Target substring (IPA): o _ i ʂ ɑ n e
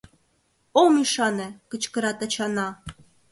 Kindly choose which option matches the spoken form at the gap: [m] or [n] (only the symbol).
m